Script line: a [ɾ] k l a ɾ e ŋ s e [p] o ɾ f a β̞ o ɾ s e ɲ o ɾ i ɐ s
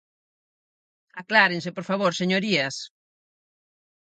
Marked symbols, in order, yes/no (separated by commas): no, yes